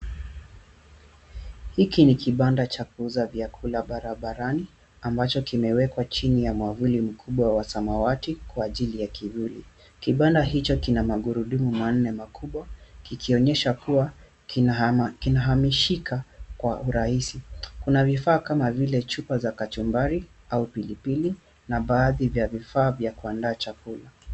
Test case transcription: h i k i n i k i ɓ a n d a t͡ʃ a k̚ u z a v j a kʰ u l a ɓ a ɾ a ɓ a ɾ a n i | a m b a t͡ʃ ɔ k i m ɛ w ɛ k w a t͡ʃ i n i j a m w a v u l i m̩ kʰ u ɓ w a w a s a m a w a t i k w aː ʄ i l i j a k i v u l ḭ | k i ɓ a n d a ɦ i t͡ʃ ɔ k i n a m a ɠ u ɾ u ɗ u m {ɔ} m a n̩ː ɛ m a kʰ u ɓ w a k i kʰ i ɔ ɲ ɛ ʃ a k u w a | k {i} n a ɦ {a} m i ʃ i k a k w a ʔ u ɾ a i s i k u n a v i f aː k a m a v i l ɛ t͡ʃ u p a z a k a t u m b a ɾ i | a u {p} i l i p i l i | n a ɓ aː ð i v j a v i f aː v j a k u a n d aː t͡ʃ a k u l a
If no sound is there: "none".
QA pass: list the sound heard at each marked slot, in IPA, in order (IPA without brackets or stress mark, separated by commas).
u, i, a, p